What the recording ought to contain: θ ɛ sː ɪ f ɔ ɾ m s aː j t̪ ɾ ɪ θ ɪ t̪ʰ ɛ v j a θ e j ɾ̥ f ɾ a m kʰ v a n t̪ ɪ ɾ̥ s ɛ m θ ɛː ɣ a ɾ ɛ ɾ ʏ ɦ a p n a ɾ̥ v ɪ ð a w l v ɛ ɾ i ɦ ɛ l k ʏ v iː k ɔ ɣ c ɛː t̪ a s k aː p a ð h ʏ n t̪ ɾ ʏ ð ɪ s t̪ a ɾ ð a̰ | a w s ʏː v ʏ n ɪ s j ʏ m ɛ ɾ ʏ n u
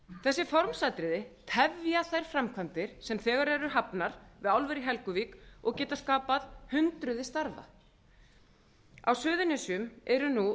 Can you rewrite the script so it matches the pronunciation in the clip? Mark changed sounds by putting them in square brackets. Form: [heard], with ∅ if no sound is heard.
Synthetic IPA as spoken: θ ɛ sː ɪ f ɔ ɾ m s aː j t̪ ɾ ɪ [ð] ɪ t̪ʰ ɛ v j a θ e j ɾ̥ f ɾ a m kʰ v a n t̪ ɪ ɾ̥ s ɛ m θ ɛː ɣ a ɾ ɛ ɾ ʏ ɦ a p n a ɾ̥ v ɪ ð a w l v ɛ ɾ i ɦ ɛ l k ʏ v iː k ɔ ɣ c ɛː t̪ a s k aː p a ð h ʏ n t̪ ɾ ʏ ð ɪ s t̪ a ɾ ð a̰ | a w s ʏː [ð] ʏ n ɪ s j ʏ m ɛ ɾ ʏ n u